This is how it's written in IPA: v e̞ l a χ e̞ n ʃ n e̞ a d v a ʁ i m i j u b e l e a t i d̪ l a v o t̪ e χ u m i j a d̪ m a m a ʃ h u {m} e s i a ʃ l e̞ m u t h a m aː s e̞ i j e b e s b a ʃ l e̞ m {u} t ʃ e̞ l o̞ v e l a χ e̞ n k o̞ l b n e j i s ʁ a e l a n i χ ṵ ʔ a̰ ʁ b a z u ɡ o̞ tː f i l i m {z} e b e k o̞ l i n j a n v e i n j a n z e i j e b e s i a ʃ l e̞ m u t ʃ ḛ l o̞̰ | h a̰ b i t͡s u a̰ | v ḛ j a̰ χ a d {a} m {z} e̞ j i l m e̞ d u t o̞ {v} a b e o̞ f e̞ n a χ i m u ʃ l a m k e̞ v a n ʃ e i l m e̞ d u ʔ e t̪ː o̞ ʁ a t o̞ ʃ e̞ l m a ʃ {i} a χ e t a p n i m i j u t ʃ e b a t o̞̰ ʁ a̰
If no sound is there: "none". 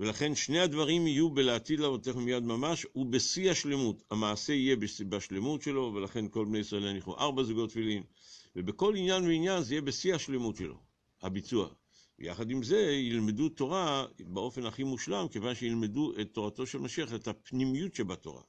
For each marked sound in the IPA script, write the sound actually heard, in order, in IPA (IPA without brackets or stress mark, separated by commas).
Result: b, u, v, i, z, ʁ, i